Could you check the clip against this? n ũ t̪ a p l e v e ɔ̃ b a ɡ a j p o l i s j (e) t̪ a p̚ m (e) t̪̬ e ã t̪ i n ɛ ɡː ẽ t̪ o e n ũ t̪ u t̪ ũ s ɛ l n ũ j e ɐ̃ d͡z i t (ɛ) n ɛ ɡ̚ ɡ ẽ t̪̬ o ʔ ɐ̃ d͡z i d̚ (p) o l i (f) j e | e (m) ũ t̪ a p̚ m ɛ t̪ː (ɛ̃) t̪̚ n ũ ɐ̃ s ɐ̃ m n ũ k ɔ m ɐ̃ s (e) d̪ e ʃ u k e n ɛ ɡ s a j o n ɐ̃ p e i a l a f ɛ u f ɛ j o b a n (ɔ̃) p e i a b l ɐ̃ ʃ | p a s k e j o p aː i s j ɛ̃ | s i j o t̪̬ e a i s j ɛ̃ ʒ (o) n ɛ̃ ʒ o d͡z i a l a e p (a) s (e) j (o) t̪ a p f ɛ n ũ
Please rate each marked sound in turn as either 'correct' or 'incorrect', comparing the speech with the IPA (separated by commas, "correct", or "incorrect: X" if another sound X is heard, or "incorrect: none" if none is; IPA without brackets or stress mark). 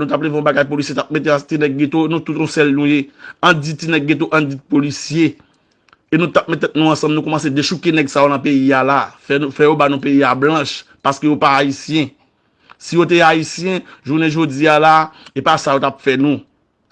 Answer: correct, correct, incorrect: i, correct, incorrect: s, incorrect: n, incorrect: ɛ, correct, incorrect: ũ, incorrect: u, correct, incorrect: a, correct